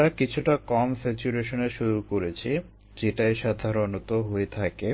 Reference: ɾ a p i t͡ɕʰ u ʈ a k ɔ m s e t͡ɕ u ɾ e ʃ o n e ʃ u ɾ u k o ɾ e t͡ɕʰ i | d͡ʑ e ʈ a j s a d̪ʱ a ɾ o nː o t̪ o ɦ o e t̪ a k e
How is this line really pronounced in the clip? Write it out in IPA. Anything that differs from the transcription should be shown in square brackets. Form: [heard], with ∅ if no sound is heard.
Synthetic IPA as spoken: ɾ a [k] i t͡ɕʰ u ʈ a k ɔ m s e t͡ɕ u ɾ e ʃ o n e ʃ u ɾ u k o ɾ e t͡ɕʰ i | d͡ʑ e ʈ a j [ʃ] a d̪ʱ a ɾ o [n] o t̪ o ɦ o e [t̪ʰ] a k e

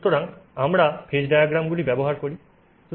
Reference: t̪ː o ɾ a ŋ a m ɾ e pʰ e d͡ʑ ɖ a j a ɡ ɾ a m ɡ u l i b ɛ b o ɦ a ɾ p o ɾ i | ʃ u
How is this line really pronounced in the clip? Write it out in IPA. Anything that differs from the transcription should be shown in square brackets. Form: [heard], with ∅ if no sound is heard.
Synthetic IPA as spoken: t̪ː o ɾ a ŋ a m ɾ [a] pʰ e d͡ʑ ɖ a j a ɡ ɾ a m ɡ u l i b ɛ b o ɦ a ɾ [k] o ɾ i | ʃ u

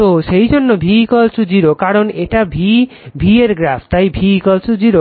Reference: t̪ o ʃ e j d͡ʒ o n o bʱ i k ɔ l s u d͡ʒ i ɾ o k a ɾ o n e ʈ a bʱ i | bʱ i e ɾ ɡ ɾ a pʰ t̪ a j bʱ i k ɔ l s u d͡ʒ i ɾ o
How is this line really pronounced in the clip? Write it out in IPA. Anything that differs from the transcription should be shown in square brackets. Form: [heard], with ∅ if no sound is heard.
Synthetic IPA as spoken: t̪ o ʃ e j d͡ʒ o [nː] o bʱ i k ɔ l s u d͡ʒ i ɾ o k a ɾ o n e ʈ a bʱ i | bʱ i e ɾ ɡ ɾ a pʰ t̪ a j bʱ i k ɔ l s u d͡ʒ i ɾ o

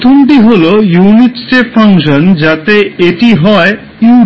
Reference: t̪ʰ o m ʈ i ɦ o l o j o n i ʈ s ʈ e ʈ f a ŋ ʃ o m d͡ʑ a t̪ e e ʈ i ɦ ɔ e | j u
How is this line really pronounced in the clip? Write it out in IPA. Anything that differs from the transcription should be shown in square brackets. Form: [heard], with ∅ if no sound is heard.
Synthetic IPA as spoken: t̪ʰ o m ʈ i ɦ o l o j [u] n i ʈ s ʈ e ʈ f a ŋ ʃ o [n] d͡ʑ a t̪ e e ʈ i ɦ ɔ e | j u

